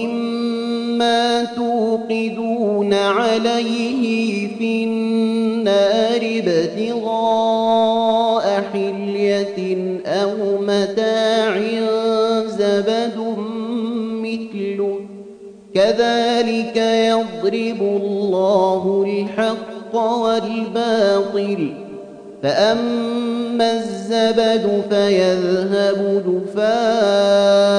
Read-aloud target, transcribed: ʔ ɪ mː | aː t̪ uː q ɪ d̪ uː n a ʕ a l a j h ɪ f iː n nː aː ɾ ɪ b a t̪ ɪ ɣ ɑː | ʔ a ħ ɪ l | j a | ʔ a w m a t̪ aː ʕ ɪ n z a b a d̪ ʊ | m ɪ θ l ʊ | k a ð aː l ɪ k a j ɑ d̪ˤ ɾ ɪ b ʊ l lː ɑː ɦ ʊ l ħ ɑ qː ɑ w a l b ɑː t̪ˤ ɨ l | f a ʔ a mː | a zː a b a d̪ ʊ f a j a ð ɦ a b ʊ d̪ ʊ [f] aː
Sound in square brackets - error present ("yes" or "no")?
no